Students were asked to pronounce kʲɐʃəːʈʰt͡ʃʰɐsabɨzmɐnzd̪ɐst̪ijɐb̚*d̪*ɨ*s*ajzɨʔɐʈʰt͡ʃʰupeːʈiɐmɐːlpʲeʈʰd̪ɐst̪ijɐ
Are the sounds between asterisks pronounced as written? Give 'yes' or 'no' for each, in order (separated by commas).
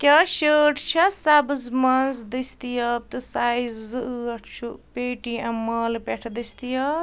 no, yes